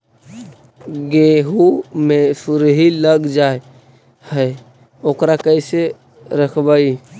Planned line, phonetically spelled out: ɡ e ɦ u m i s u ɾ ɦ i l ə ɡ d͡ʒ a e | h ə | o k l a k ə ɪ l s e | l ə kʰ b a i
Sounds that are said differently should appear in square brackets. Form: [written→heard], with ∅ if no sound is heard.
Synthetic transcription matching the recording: ɡ e ɦ u m [i→e] s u ɾ ɦ i l ə ɡ d͡ʒ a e | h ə | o k [l→ɾ] a k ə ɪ [l→∅] s e | [l→ɾ] ə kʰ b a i